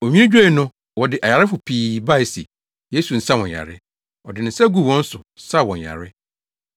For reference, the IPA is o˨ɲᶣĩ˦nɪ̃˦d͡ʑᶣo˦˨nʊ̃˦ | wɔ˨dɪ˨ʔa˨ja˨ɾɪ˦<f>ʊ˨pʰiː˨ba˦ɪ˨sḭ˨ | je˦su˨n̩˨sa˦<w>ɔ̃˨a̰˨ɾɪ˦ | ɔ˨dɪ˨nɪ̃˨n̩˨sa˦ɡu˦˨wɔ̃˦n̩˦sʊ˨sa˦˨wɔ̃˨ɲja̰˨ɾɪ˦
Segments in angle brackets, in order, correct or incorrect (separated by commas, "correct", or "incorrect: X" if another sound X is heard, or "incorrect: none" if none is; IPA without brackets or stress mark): correct, correct